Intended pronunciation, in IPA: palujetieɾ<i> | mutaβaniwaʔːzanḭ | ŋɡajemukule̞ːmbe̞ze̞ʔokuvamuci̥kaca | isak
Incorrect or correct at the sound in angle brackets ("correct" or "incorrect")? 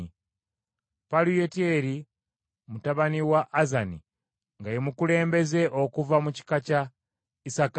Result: correct